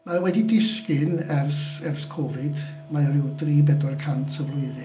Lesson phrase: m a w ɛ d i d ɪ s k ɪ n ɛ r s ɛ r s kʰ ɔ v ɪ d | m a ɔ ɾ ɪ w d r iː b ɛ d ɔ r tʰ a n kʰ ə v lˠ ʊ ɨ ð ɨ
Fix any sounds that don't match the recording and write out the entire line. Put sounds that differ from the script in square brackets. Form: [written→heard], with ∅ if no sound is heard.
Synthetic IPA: m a w ɛ d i d ɪ s k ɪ n ɛ r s ɛ r s kʰ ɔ v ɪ d | m a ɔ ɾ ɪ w d r iː b ɛ d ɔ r [tʰ→kʰ] a n [kʰ→tʰ] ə v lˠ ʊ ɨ ð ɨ